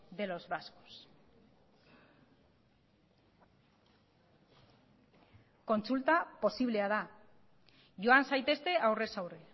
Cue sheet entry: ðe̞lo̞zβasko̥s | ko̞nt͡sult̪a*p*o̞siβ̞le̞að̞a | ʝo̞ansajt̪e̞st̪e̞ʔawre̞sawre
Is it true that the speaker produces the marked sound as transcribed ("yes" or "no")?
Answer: yes